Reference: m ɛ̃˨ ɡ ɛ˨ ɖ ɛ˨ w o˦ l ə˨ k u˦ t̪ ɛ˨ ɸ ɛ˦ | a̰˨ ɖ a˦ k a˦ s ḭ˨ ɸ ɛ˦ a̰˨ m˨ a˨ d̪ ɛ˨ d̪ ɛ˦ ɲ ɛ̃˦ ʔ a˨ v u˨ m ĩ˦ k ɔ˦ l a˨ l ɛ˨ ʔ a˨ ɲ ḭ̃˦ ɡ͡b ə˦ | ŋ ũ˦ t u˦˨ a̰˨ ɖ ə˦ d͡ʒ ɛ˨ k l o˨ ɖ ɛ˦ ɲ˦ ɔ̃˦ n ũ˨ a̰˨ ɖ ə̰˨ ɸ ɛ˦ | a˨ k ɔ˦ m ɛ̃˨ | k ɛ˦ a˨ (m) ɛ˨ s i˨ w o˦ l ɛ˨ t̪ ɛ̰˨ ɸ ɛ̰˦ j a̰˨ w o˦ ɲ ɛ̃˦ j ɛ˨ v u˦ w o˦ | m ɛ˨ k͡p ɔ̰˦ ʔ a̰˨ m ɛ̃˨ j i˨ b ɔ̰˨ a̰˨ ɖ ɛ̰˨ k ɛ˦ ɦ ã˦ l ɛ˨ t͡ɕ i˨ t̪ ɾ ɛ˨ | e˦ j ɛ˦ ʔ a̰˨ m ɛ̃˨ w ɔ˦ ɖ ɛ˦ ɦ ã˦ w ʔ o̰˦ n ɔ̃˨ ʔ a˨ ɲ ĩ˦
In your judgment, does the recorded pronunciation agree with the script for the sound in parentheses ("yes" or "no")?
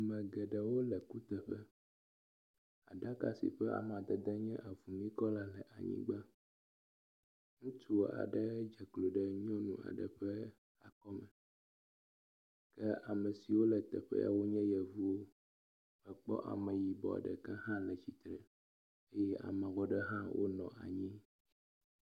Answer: yes